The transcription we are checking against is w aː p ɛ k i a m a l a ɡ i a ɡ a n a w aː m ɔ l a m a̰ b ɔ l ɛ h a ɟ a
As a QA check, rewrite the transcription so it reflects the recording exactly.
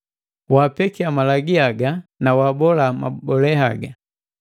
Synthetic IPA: w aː p ɛ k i a m a l a ɡ i a ɡ a n a w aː b ɔ l a m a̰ b ɔ l ɛ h a ɡ a

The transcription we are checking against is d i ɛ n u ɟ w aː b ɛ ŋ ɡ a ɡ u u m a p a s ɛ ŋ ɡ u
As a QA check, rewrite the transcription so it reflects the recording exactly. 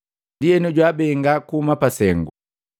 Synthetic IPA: d i ɛ n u ɟ w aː b ɛ ŋ ɡ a k u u m a p a s ɛ ŋ ɡ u

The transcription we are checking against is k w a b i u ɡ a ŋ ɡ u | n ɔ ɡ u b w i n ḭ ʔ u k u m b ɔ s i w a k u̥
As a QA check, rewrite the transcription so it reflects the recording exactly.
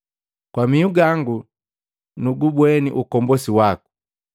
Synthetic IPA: k w a m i u ɡ a ŋ ɡ u | n u ɡ u b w ɛ n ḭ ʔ u k ɔ m b ɔ s i w a k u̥

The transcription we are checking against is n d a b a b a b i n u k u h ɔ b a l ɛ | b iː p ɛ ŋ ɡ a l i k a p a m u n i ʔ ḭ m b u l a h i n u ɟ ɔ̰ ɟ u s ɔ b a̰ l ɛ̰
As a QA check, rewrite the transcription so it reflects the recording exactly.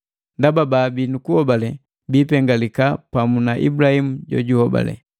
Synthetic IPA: n d a b a b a b i n u k u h ɔ b a l ɛ | b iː p ɛ ŋ ɡ a l i k a p a m u n a ʔ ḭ b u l a h i m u ɟ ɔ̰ ɟ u h ɔ b a̰ l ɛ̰

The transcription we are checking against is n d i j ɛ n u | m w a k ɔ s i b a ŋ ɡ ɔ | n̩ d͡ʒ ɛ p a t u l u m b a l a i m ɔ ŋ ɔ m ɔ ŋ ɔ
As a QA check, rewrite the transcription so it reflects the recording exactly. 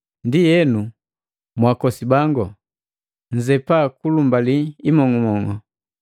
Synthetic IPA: n d i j ɛ n u | m w a k ɔ s i b a ŋ ɡ ɔ | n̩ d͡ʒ ɛ p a k u l u m b a l i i m ɔ ŋ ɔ m ɔ ŋ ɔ

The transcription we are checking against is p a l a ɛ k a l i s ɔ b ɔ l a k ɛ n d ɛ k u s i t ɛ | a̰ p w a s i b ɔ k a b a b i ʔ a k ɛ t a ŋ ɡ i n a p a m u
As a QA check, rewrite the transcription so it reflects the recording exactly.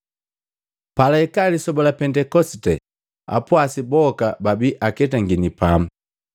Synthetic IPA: p a l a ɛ k a l i s ɔ b ɔ l a p ɛ n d ɛ k ɔ s i t ɛ | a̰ p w a s i b ɔ k a b a b i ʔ a k ɛ t a ŋ ɡ i n i p a m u

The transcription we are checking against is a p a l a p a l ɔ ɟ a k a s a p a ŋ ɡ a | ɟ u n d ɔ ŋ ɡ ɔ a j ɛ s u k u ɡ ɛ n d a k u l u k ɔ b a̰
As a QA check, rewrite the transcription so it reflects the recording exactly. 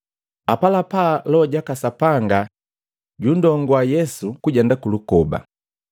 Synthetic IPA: a p a l a p a l ɔ ɟ a k a s a p a ŋ ɡ a | ɟ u n d ɔ ŋ ɡ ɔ a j ɛ s u k u ɟ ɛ n d a k u l u k ɔ b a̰

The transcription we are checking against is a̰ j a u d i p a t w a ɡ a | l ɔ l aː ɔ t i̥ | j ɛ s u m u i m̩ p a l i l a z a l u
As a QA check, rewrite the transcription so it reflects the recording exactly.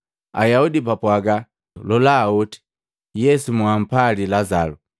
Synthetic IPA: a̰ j a u d i p a p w a ɡ a | l ɔ l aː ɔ t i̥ | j ɛ s u m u a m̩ p a l i l a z a l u

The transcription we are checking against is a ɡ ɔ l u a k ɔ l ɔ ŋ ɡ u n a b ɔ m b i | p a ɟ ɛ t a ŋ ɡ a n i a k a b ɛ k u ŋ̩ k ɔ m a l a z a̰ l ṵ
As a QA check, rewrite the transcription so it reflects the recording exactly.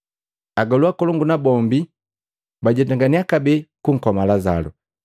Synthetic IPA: a ɡ ɔ l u a k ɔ l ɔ ŋ ɡ u n a b ɔ m b i | b a ɟ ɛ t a ŋ ɡ a n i a k a b ɛ k u ŋ̩ k ɔ m a l a z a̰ l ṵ

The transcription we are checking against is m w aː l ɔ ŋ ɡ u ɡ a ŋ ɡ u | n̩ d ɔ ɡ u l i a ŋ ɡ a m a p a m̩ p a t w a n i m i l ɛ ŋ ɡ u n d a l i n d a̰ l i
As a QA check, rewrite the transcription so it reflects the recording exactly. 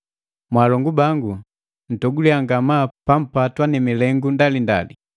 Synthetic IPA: m w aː l ɔ ŋ ɡ u b a ŋ ɡ u | n̩ t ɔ ɡ u l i a ŋ ɡ a m a p a m̩ p a t w a n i m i l ɛ ŋ ɡ u n d a l i n d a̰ l i

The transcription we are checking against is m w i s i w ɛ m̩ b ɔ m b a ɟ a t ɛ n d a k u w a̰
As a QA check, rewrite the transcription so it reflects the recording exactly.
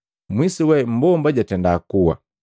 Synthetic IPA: m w i s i w ɛ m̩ b ɔ m b a ɟ a t ɛ n d a k u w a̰

